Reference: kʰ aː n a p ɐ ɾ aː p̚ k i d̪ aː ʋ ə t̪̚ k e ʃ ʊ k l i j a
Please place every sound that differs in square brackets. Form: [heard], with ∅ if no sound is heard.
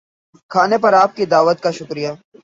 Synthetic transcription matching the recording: kʰ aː n [e] p ɐ ɾ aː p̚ k i d̪ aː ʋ ə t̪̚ k [a] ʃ ʊ k [ɾ] i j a